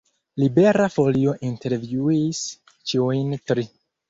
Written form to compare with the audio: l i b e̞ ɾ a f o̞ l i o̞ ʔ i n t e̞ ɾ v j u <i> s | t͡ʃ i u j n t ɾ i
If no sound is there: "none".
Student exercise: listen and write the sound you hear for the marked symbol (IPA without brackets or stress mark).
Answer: i